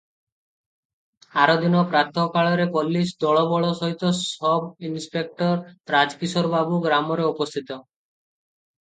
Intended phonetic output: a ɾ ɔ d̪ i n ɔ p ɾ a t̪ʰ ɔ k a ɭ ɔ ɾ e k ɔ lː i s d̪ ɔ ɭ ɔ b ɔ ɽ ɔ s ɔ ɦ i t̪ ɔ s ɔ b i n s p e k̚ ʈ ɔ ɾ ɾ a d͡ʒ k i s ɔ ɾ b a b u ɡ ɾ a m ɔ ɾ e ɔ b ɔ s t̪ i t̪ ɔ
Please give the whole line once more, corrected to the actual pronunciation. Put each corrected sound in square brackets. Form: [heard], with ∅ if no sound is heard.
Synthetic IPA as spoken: a ɾ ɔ d̪ i n ɔ p ɾ a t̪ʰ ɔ k a ɭ ɔ ɾ e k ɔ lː i s d̪ ɔ ɭ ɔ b ɔ [ɭ] ɔ s ɔ ɦ i t̪ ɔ s ɔ b i n s p e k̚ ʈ ɔ ɾ ɾ a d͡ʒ k i s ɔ ɾ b a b u ɡ ɾ a m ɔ ɾ e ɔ [p] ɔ s [t̪ʰ] i t̪ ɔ

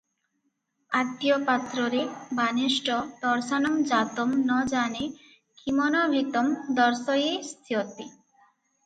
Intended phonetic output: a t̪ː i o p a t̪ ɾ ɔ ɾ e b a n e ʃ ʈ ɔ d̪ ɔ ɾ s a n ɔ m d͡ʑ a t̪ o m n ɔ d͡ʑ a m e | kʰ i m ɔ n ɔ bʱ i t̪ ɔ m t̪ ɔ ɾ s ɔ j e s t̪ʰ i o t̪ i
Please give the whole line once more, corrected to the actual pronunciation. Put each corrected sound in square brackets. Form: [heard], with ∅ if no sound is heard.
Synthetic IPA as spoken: a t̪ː i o p a t̪ ɾ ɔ ɾ e b a n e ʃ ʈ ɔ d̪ ɔ ɾ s a n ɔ m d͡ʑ a t̪ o m n ɔ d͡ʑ a [n] e | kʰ i m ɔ n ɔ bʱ i t̪ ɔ m [d̪] ɔ ɾ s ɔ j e s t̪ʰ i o t̪ i

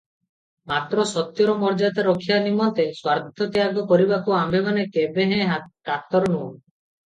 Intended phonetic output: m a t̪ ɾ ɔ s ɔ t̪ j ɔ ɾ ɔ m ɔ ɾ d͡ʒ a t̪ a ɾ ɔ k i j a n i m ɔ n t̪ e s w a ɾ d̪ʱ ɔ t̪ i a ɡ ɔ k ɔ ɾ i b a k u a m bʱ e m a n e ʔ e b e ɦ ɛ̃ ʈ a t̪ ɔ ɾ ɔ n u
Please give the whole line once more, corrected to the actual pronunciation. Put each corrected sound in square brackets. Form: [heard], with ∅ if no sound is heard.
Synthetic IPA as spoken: m a t̪ ɾ ɔ s ɔ t̪ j ɔ ɾ ɔ m ɔ ɾ d͡ʒ a t̪ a ɾ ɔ [kʰ] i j a n i m ɔ n t̪ e s w a ɾ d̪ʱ ɔ t̪ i a ɡ ɔ k ɔ ɾ i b a k u a m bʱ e m a n e [k] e b e ɦ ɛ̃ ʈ a t̪ ɔ ɾ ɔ n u

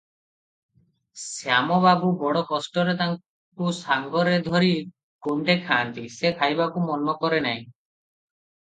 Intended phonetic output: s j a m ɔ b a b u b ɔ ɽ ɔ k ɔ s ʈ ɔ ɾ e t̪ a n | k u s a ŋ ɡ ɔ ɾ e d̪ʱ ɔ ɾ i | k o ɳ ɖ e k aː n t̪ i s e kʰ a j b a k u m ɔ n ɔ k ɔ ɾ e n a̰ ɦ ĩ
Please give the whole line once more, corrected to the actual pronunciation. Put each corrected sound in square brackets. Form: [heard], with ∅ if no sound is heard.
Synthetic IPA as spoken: s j a m ɔ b a b u b ɔ ɽ ɔ k ɔ s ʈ ɔ ɾ e t̪ a [ŋ] | k u s a ŋ ɡ ɔ ɾ e d̪ʱ ɔ ɾ i | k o ɳ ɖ e [kʰ] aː n t̪ i s e kʰ a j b a k u m ɔ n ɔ k ɔ ɾ e n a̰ ɦ ĩ

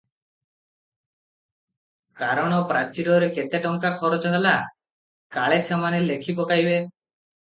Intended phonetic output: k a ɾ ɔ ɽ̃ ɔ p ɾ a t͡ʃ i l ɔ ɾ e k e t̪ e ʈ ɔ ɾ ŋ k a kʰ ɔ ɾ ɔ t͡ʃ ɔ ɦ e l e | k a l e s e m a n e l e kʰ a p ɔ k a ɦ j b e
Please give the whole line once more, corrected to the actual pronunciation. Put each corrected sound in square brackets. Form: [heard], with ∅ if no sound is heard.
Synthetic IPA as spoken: k a ɾ ɔ ɽ̃ ɔ p ɾ a t͡ʃ i [ɾ] ɔ ɾ e k e t̪ e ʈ ɔ [∅] ŋ k a kʰ ɔ ɾ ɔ t͡ʃ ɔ ɦ e l [a] | k a [ɭ] e s e m a n e l e kʰ [i] p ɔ k a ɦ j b e

